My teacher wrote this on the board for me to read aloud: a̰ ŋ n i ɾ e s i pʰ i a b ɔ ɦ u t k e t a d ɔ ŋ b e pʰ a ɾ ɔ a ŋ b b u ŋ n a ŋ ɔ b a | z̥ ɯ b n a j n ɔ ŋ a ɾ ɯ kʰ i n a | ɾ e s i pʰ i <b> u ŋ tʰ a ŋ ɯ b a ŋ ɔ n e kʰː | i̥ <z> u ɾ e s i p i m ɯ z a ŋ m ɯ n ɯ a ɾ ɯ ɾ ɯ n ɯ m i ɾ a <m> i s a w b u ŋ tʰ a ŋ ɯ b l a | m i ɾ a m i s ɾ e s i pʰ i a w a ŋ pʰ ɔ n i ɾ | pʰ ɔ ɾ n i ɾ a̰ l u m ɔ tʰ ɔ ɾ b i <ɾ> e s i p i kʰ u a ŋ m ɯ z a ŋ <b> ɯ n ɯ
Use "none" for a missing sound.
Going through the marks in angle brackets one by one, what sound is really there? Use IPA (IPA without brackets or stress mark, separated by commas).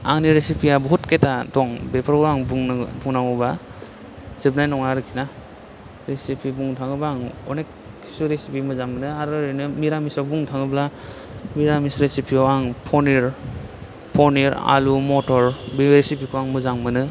b, s, m, ɾ, m